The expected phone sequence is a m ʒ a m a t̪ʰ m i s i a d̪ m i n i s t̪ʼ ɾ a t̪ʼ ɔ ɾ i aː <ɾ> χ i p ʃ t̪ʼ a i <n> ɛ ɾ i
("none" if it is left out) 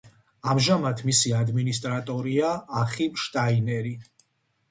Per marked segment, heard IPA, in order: none, n

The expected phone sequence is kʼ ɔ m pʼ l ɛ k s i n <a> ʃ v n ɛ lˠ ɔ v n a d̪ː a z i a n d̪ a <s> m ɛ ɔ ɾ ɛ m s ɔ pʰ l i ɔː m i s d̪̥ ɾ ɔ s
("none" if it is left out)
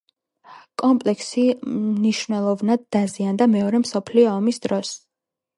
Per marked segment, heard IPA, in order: i, none

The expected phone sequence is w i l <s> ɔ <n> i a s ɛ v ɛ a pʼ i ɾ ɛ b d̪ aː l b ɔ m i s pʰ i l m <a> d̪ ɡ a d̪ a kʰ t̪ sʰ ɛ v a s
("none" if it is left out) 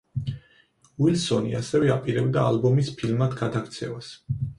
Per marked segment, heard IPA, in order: s, n, a

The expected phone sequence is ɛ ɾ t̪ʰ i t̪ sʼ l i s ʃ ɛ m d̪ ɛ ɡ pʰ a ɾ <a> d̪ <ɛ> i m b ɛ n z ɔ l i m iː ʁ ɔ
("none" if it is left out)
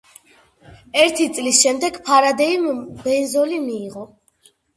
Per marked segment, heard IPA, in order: a, ɛ

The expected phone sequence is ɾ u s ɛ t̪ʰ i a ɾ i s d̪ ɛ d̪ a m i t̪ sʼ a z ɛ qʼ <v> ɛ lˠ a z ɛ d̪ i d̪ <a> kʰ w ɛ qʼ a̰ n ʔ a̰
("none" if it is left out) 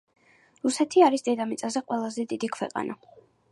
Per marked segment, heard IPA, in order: w, i

